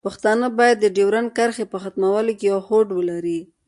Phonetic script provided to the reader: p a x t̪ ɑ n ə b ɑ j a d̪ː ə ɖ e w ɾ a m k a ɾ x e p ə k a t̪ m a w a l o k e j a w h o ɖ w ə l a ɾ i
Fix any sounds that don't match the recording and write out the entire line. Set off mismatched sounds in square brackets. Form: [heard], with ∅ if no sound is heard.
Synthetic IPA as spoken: p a x t̪ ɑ n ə b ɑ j a d̪ː ə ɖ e w ɾ a [n] k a ɾ x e p ə [x] a t̪ m a w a l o k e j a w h o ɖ w ə l a ɾ i